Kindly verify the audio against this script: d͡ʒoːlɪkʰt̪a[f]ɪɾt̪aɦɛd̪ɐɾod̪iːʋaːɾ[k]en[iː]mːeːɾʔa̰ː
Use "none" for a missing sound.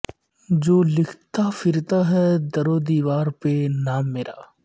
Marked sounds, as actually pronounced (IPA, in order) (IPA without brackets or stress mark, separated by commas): f, p, aː